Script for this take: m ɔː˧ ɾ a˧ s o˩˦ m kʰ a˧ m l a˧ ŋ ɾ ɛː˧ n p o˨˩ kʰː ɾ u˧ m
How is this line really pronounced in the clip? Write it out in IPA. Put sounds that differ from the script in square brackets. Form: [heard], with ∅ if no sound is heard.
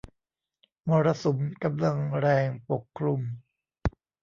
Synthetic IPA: m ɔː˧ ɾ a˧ s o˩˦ m [k] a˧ m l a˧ ŋ ɾ ɛː˧ [ŋ] p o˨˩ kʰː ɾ u˧ m